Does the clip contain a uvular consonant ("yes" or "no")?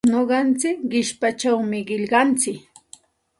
yes